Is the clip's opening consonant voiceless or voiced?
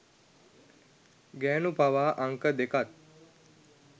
voiced